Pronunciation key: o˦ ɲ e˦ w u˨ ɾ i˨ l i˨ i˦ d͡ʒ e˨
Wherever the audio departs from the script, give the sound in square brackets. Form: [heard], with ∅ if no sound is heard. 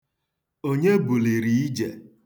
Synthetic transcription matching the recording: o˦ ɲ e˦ [b] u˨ [l] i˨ [ɾ] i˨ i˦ d͡ʒ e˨